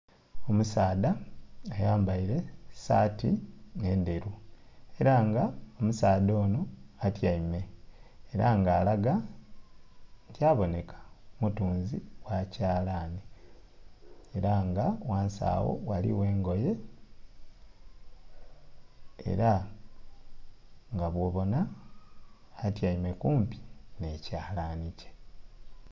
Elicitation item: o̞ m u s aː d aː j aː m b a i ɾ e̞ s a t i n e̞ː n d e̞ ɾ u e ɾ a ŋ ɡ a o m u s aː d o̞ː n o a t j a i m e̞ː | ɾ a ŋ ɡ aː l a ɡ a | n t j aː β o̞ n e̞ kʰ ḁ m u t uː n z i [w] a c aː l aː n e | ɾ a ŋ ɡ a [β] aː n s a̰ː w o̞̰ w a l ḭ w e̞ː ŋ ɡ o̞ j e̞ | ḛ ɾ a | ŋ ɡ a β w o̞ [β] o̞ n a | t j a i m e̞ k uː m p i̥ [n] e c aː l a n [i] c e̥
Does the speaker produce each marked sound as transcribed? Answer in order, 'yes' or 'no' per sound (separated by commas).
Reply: yes, no, yes, yes, yes